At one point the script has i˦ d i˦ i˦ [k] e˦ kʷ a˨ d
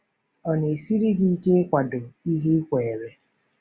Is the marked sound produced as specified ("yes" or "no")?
yes